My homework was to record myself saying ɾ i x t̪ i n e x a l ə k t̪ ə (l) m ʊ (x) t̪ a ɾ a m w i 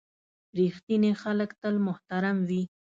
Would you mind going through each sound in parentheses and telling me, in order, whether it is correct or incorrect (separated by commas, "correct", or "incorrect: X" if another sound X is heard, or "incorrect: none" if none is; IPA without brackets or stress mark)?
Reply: correct, incorrect: h